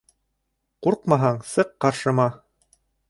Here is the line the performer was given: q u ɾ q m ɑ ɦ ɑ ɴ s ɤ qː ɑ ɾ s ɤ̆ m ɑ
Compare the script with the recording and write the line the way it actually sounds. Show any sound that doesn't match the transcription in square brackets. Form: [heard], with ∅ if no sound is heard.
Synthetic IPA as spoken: q u ɾ q m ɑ ɦ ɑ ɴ s ɤ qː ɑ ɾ [ʃ] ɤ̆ m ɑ

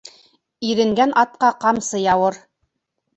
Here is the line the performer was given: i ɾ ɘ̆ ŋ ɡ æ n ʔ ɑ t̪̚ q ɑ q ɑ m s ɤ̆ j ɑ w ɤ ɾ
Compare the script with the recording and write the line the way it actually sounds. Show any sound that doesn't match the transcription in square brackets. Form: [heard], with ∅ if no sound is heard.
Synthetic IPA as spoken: i ɾ ɘ̆ ŋ ɡ æ n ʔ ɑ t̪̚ q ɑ q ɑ m s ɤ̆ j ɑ w ɤ ɾ

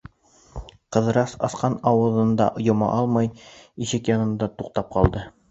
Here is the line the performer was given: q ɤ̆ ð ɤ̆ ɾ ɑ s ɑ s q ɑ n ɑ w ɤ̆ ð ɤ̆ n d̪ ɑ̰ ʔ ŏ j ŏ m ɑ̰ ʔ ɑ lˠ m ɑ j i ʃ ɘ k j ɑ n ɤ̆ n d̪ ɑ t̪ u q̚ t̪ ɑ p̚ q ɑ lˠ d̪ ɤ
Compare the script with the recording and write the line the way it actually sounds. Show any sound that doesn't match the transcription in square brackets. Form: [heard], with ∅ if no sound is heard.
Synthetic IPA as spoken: q ɤ̆ ð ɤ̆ ɾ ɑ s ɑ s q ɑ n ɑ w ɤ̆ ð ɤ̆ n d̪ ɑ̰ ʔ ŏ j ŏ m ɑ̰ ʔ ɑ lˠ m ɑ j i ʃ ɘ k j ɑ n ɤ̆ n d̪ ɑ t̪ u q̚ t̪ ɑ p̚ q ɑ lˠ d̪ ɤ

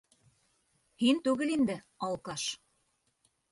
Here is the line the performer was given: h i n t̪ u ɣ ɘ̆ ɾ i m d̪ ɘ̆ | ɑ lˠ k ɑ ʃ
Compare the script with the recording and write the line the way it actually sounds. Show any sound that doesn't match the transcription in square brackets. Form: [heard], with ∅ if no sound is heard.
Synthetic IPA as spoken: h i n t̪ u ɣ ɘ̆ [l] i [n] d̪ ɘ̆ | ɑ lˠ k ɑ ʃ

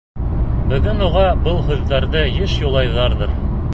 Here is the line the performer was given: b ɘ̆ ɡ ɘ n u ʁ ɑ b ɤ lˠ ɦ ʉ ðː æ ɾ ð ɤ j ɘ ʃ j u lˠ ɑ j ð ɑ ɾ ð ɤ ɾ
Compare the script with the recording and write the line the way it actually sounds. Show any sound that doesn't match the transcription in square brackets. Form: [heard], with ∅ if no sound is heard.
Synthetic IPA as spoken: b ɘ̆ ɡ ɘ n u ʁ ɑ b ɤ lˠ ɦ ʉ ðː æ ɾ ð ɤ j ɘ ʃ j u lˠ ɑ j ð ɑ ɾ ð ɤ ɾ

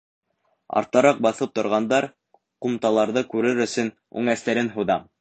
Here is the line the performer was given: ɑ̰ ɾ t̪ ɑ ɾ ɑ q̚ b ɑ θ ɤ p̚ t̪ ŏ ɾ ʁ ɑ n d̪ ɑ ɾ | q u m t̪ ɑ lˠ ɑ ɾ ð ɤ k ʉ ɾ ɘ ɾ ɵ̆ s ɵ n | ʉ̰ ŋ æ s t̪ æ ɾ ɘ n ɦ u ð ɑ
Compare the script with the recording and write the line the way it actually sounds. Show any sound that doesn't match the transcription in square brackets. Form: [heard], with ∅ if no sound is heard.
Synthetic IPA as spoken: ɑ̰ ɾ t̪ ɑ ɾ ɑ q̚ b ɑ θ ɤ p̚ t̪ ŏ ɾ ʁ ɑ n d̪ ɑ ɾ | q u m t̪ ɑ lˠ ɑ ɾ ð ɤ k ʉ ɾ ɘ ɾ ɵ̆ s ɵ n | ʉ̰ ŋ æ s t̪ æ ɾ ɘ n ɦ u ð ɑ

